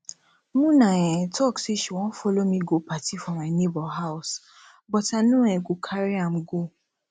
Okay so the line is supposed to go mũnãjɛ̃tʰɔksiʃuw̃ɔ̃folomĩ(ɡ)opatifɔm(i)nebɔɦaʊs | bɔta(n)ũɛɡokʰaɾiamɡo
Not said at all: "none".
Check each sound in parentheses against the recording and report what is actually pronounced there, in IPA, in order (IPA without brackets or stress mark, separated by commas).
ɡ, a, n